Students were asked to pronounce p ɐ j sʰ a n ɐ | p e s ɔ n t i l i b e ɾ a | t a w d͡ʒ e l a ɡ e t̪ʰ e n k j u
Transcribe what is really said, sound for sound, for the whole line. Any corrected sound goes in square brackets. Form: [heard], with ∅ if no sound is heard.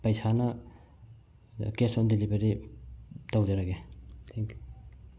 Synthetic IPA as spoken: p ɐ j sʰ a n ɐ | [k] e s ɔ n [d] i l i b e ɾ [i] | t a w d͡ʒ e [ɾ] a ɡ e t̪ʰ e [ŋ] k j u